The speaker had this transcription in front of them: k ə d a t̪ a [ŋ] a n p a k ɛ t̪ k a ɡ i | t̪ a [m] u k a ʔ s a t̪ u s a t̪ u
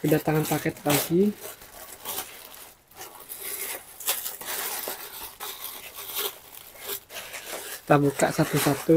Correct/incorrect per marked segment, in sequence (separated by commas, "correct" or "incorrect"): correct, incorrect